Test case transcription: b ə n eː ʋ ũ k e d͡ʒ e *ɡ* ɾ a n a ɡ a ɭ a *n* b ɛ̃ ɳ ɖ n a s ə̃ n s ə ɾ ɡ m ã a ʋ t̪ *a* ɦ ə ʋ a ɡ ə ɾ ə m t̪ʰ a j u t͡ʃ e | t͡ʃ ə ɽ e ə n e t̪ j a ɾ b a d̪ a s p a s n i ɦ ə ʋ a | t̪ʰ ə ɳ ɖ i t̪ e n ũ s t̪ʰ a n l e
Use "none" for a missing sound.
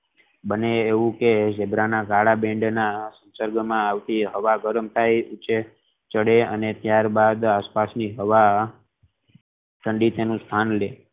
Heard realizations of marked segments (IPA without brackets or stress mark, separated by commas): b, none, i